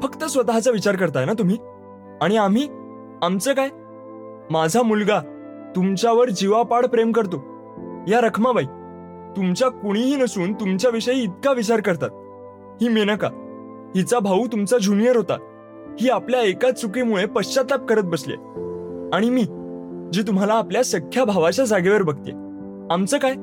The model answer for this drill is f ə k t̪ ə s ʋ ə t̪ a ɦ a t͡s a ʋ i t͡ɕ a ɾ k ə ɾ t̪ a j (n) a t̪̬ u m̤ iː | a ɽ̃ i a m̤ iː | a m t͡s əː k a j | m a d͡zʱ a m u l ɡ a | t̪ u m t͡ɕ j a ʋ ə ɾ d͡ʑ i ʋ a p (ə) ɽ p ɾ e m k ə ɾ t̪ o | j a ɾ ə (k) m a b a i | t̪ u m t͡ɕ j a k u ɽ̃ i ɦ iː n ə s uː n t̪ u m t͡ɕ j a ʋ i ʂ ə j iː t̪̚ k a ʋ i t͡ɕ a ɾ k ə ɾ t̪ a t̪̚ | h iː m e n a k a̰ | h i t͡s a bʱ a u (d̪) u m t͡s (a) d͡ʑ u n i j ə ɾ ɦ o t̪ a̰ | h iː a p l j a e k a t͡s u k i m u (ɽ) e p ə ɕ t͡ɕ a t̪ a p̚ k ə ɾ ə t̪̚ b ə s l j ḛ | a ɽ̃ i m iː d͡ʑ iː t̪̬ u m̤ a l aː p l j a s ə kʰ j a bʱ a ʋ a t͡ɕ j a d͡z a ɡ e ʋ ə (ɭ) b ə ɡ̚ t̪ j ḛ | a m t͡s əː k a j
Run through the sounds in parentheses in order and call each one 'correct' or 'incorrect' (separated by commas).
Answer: correct, incorrect, incorrect, incorrect, correct, incorrect, incorrect